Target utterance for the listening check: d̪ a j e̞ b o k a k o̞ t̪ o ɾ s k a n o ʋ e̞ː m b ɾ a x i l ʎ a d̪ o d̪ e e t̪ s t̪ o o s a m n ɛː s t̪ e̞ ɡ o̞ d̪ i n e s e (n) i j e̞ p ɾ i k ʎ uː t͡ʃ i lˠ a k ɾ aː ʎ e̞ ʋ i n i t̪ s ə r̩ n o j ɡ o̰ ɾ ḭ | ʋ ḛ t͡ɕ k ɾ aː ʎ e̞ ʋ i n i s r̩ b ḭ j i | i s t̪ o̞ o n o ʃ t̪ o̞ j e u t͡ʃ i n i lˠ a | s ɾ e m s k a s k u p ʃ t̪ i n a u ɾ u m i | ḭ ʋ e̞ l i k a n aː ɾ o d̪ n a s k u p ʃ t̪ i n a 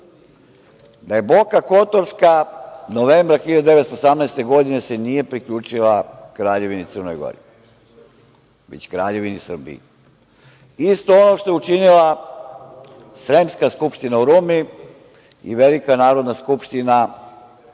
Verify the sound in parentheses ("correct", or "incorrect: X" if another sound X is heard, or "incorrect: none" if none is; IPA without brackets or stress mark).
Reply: correct